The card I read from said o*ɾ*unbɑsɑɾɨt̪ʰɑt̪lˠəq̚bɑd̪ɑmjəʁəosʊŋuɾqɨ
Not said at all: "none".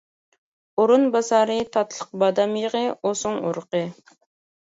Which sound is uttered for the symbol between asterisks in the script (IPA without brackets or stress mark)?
ɾ